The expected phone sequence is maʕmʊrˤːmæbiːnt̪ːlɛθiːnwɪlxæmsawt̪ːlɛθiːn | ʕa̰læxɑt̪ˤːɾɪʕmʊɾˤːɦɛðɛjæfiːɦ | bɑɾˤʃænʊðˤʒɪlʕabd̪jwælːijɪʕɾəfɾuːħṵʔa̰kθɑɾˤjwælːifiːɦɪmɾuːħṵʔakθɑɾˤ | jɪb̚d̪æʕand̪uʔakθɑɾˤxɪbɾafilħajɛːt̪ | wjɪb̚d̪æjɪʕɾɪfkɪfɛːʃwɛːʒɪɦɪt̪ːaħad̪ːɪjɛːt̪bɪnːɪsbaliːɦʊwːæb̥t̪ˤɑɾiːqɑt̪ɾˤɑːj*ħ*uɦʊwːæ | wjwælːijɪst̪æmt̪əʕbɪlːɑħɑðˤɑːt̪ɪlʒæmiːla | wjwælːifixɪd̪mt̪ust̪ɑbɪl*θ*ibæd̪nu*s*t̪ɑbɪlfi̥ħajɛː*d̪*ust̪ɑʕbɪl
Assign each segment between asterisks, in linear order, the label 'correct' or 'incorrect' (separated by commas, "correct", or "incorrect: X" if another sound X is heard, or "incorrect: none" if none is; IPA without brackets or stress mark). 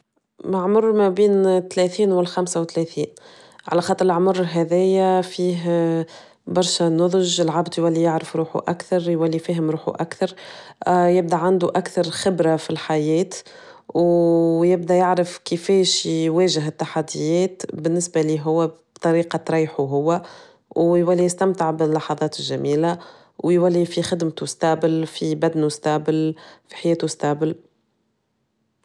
correct, incorrect: f, correct, incorrect: t̪